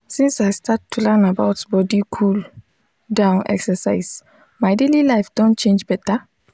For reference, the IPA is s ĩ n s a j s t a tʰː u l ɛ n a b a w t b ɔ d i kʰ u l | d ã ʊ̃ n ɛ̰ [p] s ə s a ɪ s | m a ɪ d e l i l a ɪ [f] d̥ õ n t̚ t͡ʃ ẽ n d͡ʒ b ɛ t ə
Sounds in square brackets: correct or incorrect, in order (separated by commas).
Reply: incorrect, correct